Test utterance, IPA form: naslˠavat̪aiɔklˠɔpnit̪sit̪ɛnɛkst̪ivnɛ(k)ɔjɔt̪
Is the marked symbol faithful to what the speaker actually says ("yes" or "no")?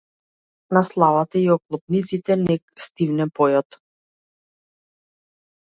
no